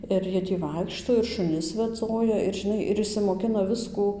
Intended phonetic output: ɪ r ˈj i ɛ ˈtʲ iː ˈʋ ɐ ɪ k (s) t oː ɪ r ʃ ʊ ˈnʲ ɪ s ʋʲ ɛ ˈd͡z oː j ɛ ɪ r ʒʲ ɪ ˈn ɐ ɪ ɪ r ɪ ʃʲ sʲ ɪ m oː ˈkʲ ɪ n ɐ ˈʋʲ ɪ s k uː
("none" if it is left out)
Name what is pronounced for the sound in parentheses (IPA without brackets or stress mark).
ʃ